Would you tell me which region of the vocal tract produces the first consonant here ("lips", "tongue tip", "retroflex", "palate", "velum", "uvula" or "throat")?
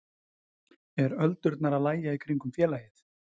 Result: tongue tip